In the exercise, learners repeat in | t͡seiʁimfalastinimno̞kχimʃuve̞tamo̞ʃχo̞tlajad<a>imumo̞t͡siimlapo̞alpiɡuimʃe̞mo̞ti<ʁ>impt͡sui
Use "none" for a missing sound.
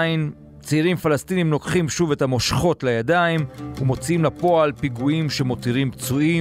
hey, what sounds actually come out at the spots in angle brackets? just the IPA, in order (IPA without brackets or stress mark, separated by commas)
a, ʁ